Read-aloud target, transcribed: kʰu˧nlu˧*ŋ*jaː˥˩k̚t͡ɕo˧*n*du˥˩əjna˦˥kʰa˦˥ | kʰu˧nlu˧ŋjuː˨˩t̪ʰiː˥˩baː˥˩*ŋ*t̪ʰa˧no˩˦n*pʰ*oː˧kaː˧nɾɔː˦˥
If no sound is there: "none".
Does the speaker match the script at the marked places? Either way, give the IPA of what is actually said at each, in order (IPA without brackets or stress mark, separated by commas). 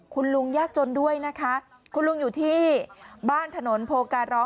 ŋ, n, n, pʰ